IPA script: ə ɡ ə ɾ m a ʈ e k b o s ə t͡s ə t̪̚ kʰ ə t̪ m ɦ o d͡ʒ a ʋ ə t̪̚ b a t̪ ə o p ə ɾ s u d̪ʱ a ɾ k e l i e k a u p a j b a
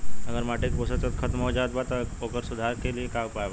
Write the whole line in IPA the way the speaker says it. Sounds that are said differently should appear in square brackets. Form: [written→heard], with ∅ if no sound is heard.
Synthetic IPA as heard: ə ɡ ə ɾ m a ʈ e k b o s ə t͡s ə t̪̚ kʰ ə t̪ m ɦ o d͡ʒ a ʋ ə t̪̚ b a t̪ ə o [p→k] ə ɾ s u d̪ʱ a ɾ k e l i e k a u p a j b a